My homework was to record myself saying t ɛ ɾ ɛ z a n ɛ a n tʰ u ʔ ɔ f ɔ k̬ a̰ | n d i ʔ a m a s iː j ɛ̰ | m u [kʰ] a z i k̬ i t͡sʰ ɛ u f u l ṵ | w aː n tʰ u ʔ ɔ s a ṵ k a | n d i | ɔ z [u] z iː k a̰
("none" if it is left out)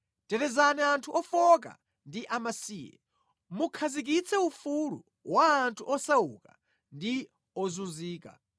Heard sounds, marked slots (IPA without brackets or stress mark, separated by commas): kʰ, u